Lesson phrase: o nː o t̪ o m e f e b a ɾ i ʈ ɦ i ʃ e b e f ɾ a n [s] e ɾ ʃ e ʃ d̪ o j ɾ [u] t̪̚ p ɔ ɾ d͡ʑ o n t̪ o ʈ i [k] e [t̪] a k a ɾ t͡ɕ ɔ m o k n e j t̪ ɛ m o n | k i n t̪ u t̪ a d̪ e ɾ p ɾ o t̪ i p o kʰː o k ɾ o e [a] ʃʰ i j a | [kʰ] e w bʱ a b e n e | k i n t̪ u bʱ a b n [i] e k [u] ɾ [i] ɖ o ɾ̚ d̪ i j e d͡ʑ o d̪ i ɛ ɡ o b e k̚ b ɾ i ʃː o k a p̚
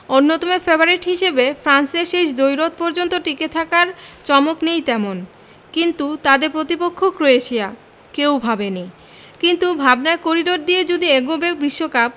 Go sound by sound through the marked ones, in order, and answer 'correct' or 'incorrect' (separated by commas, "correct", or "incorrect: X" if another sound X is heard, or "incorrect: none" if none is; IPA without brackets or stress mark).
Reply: correct, incorrect: o, correct, incorrect: t̪ʰ, incorrect: e, incorrect: k, incorrect: a, incorrect: o, correct